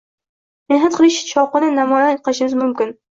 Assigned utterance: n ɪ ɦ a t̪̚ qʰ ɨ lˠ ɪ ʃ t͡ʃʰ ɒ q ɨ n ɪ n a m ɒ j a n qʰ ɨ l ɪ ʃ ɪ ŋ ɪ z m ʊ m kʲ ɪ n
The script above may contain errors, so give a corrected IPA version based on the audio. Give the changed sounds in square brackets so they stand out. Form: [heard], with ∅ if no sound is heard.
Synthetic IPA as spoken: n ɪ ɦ a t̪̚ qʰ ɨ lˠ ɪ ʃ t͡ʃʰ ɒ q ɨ n ɪ n a m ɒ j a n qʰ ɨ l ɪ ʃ ɪ [m] ɪ z m ʊ m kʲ ɪ n